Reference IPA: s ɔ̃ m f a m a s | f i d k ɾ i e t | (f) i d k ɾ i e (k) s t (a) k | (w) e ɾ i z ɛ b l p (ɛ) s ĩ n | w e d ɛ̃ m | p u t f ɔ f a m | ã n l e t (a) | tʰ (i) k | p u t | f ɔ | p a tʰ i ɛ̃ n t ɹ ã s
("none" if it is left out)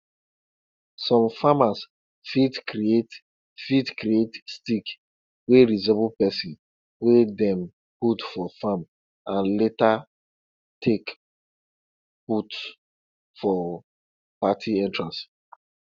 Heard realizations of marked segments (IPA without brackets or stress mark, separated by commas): f, t, i, w, ɛ, a, e